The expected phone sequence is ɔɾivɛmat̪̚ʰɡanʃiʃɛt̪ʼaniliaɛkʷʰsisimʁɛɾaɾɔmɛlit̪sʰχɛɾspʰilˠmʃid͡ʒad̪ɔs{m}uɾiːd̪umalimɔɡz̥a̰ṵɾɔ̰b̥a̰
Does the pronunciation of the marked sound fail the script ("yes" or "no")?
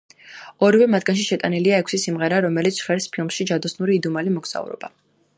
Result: yes